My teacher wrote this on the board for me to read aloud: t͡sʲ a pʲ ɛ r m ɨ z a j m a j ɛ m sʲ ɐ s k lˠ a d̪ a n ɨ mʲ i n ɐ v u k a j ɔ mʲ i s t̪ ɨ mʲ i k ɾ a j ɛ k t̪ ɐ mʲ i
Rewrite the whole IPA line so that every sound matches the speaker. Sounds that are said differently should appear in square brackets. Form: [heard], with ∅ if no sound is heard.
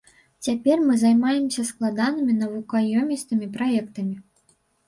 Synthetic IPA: t͡sʲ a pʲ ɛ r m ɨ z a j m a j ɛ m sʲ ɐ s k lˠ a d̪ a n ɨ mʲ i n ɐ v u k a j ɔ mʲ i s t̪ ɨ mʲ i [p] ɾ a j ɛ k t̪ ɐ mʲ i